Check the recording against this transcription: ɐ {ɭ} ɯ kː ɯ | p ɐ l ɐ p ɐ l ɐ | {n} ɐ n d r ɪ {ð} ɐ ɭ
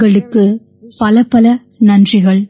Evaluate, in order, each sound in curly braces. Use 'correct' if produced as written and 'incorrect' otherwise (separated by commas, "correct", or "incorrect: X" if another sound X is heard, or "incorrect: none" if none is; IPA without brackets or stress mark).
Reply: correct, correct, incorrect: ɣ